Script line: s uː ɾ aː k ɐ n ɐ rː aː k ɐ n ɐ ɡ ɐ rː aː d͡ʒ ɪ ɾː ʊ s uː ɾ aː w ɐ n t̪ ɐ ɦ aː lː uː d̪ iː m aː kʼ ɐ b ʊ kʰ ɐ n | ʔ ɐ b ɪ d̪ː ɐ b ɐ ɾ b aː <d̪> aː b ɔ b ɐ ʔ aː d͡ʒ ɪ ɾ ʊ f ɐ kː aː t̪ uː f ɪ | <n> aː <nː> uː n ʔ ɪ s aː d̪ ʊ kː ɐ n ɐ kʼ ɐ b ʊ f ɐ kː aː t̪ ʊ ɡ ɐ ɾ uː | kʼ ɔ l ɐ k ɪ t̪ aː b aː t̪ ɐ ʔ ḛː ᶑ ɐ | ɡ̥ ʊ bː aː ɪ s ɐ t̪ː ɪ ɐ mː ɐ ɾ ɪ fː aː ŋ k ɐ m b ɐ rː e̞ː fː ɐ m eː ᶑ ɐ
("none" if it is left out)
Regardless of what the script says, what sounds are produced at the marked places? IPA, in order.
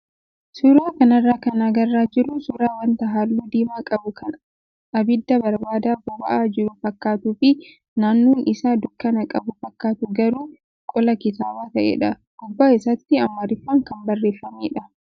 d̪, n, nː

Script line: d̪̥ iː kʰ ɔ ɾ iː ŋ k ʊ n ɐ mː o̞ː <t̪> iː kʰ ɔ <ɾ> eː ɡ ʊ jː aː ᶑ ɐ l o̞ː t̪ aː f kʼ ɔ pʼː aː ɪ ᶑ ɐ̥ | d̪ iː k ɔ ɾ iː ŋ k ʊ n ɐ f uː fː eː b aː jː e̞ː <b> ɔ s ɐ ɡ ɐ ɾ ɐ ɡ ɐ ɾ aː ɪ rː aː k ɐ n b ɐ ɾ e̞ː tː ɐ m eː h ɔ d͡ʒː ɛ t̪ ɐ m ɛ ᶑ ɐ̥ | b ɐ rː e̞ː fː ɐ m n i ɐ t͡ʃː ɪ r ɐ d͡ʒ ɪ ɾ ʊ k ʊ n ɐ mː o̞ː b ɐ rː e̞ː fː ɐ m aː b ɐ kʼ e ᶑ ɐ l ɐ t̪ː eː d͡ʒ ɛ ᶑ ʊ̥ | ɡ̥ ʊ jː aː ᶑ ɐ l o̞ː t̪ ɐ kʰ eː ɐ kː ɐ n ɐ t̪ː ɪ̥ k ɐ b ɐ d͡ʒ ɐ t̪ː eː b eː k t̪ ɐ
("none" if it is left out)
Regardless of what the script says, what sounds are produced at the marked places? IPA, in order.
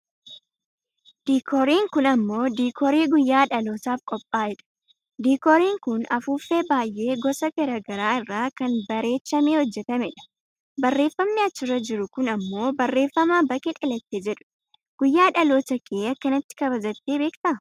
d̪, ɾ, ɡ

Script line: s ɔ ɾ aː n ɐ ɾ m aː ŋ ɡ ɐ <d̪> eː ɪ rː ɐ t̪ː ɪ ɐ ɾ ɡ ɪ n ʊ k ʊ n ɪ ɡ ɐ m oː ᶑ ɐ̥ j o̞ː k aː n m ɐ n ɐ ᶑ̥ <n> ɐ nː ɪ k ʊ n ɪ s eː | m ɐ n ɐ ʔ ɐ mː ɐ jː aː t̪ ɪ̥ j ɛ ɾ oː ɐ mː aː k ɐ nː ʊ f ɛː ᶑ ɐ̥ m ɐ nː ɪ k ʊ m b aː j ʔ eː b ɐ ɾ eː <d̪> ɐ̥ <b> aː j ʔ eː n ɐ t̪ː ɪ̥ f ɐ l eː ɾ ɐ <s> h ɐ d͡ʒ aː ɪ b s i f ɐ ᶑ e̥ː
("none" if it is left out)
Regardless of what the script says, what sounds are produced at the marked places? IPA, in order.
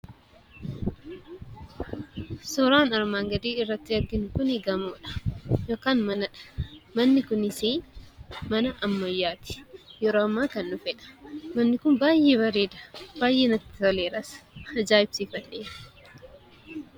d̪, m, d̪, b, s

